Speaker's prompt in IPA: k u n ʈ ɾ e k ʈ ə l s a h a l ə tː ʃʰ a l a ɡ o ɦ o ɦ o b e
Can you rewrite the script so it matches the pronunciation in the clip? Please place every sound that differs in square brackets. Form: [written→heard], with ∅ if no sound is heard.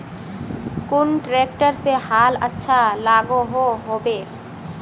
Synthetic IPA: k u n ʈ ɾ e k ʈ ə [l→ɾ] s [a→e] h a l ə tː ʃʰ a l a ɡ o ɦ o ɦ o b e